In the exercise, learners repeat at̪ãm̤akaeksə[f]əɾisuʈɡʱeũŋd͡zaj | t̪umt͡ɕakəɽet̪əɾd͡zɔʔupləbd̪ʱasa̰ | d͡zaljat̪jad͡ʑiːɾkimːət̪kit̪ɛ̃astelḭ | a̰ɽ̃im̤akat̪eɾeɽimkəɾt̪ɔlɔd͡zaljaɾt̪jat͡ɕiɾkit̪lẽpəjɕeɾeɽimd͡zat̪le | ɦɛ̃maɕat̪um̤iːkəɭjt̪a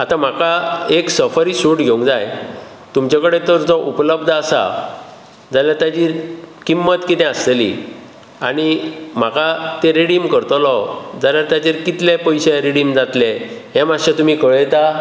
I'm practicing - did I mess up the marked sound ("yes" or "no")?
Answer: no